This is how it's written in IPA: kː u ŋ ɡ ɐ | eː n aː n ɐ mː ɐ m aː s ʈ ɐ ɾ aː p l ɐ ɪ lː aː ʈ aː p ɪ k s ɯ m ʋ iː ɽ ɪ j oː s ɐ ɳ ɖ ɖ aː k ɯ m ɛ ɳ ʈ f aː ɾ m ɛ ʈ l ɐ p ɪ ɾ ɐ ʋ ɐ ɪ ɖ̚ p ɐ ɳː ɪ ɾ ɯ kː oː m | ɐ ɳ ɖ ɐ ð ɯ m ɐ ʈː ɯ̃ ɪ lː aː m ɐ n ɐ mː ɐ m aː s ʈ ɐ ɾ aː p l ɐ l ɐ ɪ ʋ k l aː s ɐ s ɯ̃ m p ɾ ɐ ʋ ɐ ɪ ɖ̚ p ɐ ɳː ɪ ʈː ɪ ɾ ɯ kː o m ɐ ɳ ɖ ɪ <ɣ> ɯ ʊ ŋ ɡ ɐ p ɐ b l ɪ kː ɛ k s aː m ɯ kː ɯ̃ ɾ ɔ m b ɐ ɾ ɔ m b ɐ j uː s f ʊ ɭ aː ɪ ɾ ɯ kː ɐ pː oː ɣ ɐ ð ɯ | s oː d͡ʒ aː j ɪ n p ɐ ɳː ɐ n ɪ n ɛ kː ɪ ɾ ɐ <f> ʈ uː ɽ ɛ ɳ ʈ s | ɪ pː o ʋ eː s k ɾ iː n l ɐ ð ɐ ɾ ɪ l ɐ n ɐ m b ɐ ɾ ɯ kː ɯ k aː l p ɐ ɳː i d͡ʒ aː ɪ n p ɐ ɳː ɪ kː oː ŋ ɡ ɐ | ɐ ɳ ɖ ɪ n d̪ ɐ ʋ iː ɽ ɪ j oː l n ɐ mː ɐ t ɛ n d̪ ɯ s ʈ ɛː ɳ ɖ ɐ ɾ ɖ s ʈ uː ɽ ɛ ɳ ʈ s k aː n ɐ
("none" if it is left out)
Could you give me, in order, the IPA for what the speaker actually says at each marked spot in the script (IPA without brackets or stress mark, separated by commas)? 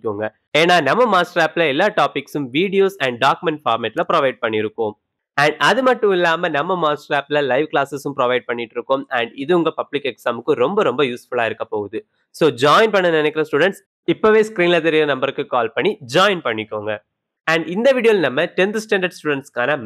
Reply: ð, s